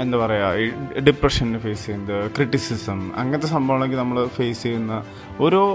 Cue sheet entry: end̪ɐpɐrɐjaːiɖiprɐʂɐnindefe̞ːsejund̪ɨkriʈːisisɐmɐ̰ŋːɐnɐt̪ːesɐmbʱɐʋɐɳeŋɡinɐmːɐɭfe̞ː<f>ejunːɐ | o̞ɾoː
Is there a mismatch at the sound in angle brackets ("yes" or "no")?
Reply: yes